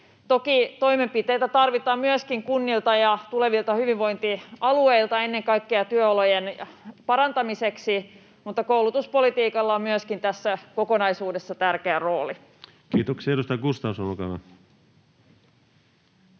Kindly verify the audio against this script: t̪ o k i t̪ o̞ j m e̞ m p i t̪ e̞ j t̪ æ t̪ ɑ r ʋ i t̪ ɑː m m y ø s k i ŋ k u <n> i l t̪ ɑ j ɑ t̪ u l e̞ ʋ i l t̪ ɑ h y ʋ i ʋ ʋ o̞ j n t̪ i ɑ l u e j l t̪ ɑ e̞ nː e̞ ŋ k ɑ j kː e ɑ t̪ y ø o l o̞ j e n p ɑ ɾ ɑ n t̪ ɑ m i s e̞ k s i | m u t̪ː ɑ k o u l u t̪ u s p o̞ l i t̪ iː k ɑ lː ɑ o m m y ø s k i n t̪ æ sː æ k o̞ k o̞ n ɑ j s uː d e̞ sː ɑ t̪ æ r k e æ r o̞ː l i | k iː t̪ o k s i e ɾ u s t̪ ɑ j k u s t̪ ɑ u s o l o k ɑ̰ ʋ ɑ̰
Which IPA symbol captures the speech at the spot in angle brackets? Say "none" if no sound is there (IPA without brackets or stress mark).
nː